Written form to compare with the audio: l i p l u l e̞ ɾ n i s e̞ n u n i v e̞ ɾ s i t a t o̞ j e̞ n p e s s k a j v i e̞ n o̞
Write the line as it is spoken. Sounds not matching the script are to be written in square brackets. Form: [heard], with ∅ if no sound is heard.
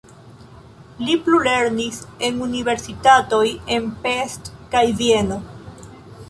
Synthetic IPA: l i p l u l e̞ ɾ n i s e̞ n u n i v e̞ ɾ s i t a t o̞ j e̞ n p e s [t] k a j v i e̞ n o̞